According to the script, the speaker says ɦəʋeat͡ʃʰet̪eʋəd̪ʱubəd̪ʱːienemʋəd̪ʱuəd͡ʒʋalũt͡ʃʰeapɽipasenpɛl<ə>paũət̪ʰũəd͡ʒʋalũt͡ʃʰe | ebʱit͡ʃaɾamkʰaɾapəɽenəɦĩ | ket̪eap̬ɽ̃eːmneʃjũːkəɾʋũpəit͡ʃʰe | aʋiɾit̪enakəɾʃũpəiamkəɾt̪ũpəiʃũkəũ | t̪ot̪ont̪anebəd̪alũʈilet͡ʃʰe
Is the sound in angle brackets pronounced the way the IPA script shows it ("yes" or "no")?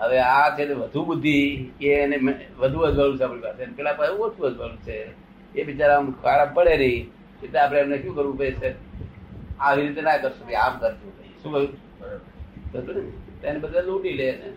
no